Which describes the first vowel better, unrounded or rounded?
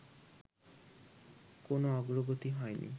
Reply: rounded